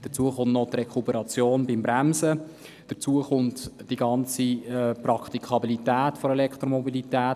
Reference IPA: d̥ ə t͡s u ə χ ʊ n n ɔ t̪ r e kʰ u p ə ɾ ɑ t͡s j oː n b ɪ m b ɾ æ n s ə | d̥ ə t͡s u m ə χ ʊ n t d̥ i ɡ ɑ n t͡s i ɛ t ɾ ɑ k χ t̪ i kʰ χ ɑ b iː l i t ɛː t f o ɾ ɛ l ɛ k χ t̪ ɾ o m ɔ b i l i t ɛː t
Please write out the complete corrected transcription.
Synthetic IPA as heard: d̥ ə t͡s u ə χ ʊ n n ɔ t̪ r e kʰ u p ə ɾ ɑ t͡s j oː n b ɪ m b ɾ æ m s ə | d̥ ə t͡s u ə χ ʊ n t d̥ i ɡ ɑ n t͡s i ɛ p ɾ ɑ k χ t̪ i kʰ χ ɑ b i l i t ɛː t f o ɾ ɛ l ɛ k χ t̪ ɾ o m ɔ b i l i t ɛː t